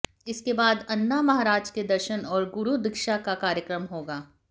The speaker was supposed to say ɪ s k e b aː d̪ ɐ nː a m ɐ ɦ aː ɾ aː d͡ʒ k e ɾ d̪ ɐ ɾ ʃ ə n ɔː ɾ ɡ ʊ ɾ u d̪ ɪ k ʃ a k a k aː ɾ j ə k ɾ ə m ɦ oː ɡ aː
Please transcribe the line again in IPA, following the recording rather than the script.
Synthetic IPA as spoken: ɪ s k e b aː d̪ ɐ nː a m ɐ ɦ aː ɾ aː d͡ʒ k e d̪ ɐ ɾ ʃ ə n ɔː ɾ ɡ ʊ ɾ u d̪ ɪ k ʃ a k a k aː ɾ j ə k ɾ ə m ɦ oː ɡ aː

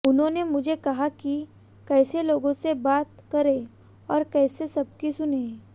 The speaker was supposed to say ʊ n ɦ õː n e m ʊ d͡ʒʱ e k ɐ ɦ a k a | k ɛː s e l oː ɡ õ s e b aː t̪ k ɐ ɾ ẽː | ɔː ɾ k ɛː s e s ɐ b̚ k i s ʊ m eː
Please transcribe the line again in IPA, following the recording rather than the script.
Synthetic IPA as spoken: ʊ n ɦ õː n e m ʊ d͡ʒʱ e k ɐ ɦ a k i | k ɛː s e l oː ɡ õ s e b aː t̪ k ɐ ɾ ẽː | ɔː ɾ k ɛː s e s ɐ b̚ k i s ʊ n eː

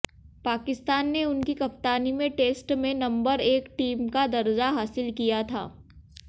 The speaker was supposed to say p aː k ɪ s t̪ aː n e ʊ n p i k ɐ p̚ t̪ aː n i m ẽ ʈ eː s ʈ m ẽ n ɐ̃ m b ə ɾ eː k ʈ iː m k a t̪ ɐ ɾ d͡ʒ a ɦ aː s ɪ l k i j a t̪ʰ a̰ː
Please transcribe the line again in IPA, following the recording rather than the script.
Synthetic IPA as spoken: p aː k ɪ s t̪ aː nː e ʊ n k i k ɐ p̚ t̪ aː n i m ẽ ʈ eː s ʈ m ẽ n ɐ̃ m b ə ɾ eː k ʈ iː m k a d̪ ɐ ɾ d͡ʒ a ɦ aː s ɪ l k i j a t̪ʰ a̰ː

